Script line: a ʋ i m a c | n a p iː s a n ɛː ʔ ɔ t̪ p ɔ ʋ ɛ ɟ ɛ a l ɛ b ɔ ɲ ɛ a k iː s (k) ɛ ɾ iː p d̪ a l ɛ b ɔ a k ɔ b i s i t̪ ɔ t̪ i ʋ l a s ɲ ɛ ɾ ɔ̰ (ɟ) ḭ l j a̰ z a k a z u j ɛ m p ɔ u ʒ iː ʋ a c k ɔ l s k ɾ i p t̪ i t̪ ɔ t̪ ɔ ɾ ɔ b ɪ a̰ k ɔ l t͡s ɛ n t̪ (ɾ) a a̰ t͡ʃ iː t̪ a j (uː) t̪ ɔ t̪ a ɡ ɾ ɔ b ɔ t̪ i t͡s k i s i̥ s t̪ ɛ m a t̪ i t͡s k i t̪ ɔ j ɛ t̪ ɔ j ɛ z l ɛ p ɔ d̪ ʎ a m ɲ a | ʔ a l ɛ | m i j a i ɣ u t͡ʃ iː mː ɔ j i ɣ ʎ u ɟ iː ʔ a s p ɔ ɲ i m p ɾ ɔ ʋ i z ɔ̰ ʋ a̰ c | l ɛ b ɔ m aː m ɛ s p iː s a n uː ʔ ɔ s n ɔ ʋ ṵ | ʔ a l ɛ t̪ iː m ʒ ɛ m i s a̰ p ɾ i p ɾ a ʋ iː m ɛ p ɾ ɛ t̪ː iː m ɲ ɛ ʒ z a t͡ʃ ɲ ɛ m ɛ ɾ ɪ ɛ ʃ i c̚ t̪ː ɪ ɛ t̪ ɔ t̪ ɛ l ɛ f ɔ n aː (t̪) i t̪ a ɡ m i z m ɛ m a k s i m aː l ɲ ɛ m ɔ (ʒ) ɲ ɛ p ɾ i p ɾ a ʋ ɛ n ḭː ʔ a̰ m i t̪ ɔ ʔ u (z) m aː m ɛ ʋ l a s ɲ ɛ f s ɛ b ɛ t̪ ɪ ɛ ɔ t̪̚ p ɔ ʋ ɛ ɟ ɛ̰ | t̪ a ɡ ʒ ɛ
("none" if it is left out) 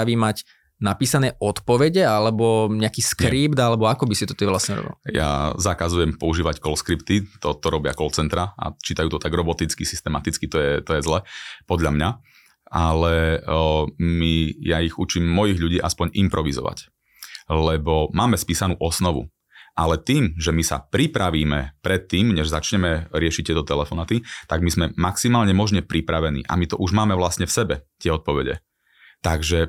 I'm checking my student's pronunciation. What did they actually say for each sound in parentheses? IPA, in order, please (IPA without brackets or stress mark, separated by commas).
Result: k, b, ɾ, uː, t̪, ʒ, ʒ